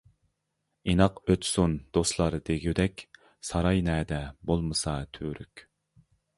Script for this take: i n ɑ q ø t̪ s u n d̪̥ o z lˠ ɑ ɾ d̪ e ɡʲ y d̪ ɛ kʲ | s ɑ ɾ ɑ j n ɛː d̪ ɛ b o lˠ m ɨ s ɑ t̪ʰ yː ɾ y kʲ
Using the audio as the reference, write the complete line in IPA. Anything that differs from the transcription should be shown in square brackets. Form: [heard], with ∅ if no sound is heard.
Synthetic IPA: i n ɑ q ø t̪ s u n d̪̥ o [s] lˠ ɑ ɾ d̪ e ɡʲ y d̪ ɛ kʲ | s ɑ ɾ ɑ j n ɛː d̪ ɛ b o lˠ m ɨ s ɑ t̪ʰ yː ɾ y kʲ